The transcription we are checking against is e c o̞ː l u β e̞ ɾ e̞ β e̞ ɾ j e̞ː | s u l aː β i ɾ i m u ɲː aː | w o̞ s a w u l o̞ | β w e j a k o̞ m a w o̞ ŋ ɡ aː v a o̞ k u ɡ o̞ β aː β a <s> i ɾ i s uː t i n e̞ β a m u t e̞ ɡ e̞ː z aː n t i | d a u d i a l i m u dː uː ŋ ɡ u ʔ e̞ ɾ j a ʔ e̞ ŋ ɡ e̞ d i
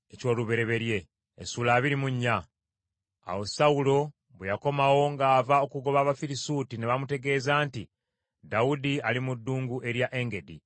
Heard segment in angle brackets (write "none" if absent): f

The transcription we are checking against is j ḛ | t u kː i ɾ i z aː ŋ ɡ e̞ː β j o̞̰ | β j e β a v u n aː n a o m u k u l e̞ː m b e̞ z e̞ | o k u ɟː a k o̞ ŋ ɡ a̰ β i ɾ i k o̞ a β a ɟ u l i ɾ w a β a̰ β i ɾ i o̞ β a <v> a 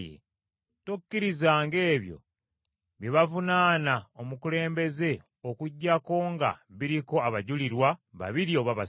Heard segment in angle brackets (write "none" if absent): β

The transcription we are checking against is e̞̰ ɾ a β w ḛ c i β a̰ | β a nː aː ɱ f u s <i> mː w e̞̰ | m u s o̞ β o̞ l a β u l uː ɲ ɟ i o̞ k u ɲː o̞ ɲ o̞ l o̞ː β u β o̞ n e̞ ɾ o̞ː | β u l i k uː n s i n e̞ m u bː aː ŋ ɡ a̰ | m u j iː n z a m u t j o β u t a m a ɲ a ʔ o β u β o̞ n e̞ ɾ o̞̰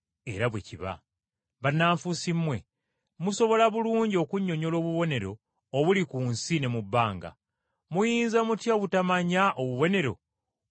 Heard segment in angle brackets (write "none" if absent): i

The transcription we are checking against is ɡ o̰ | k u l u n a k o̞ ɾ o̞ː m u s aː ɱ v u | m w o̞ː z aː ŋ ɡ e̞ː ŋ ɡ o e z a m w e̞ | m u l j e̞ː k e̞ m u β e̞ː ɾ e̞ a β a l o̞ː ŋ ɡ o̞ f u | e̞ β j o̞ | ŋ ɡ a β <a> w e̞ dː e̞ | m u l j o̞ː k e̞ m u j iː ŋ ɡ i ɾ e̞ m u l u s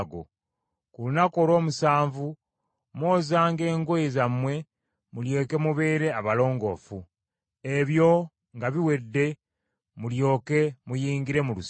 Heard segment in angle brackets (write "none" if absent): i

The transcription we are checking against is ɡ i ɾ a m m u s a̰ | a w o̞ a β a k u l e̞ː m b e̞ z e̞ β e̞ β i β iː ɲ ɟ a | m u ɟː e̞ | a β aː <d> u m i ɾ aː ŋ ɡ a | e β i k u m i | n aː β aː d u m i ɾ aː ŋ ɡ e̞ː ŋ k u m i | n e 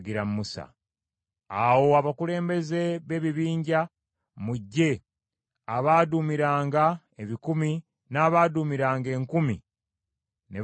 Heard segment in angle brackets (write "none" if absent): d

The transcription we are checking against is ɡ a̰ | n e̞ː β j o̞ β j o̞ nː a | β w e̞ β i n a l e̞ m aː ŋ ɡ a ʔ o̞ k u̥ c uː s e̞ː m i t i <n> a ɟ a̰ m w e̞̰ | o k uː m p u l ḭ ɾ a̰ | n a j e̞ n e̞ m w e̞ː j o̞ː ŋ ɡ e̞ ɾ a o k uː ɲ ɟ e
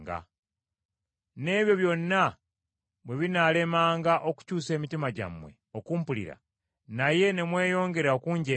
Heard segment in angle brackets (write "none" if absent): m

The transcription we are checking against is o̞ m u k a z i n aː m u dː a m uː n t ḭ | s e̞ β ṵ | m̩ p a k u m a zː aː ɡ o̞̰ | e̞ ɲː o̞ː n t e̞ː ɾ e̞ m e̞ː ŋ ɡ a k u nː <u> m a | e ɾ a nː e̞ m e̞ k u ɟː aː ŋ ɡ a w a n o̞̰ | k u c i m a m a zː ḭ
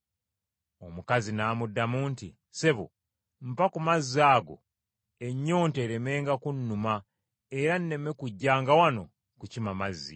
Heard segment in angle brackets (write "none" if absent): u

